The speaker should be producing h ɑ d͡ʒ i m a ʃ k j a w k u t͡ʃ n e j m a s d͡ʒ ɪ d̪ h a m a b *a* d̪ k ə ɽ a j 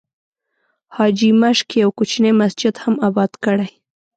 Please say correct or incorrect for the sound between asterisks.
incorrect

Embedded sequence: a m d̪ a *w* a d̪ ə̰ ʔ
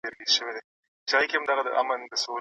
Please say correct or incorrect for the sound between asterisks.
incorrect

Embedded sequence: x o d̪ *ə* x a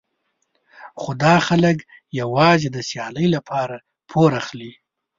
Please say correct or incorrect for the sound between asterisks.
incorrect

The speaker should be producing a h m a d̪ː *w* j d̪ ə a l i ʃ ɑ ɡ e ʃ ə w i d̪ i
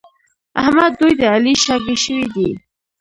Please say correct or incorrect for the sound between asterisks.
incorrect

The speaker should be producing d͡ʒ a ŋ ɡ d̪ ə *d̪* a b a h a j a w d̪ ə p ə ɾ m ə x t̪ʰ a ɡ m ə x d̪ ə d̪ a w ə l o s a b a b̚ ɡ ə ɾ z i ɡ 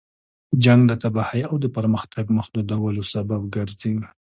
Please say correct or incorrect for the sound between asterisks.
incorrect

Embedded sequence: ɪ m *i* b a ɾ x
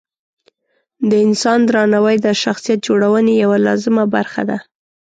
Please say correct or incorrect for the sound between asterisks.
incorrect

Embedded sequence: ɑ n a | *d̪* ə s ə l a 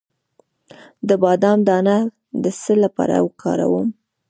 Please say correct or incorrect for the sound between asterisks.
correct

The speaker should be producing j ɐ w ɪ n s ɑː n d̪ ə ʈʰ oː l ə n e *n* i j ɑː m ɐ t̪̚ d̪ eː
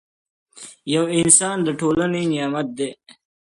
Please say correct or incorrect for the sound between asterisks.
correct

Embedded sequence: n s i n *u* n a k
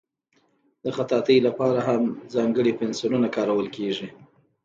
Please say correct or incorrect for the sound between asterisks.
correct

